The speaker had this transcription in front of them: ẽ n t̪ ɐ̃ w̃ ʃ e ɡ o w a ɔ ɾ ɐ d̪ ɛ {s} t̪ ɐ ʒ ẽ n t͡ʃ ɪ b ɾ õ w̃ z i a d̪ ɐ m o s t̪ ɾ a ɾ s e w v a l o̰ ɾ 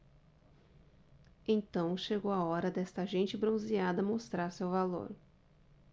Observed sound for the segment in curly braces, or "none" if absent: s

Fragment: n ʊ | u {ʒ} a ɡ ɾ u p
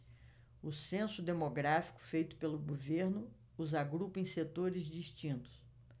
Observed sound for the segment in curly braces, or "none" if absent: z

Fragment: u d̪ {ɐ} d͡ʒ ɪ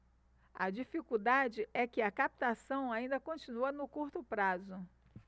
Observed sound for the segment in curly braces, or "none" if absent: a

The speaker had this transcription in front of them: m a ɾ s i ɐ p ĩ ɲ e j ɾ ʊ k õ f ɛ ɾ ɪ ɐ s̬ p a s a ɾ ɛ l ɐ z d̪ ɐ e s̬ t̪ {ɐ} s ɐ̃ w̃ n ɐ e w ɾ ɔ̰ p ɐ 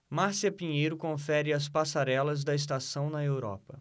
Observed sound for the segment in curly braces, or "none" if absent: a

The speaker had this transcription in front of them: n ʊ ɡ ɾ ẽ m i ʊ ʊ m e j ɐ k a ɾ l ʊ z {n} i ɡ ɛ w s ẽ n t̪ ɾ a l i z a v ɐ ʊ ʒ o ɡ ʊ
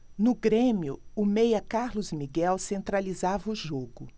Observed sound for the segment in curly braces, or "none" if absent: m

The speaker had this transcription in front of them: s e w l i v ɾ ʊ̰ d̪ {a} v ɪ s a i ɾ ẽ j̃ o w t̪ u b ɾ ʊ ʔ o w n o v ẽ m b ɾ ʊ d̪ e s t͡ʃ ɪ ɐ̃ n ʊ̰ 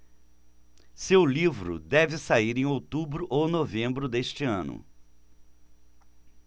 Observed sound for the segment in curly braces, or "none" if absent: ɛ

